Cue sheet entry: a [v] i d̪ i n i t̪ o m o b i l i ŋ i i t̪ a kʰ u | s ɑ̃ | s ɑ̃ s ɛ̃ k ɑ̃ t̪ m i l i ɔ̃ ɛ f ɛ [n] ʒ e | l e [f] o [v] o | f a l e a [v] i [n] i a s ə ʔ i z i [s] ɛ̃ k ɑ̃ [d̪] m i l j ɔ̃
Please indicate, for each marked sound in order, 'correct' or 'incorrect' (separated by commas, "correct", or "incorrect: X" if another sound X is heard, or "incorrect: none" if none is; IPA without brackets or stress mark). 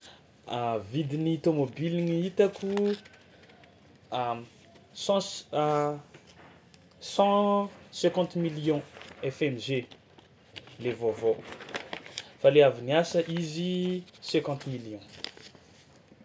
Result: correct, incorrect: m, incorrect: v, correct, correct, correct, correct, incorrect: t̪